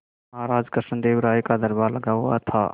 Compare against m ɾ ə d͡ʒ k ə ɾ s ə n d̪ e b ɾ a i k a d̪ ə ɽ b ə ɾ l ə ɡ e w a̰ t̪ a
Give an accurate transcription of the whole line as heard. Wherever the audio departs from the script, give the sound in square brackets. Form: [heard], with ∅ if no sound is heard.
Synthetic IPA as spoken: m ɾ [a] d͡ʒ k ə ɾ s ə n d̪ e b ɾ a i k a d̪ ə [ɾ] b [a] ɾ l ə ɡ [a] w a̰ [t̪ʰ] a